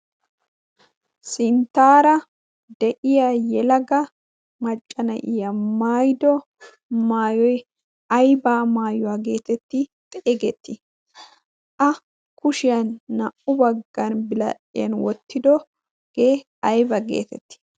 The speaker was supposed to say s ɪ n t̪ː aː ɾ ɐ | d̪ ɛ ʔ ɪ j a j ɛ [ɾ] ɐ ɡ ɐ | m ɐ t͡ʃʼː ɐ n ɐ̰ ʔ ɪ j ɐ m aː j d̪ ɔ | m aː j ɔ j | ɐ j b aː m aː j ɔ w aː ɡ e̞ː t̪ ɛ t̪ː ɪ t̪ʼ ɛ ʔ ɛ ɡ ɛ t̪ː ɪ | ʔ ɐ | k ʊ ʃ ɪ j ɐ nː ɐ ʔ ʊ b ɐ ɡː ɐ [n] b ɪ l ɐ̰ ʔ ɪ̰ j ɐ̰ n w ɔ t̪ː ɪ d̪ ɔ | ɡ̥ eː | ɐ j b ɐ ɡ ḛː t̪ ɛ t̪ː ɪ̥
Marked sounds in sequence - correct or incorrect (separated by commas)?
incorrect, correct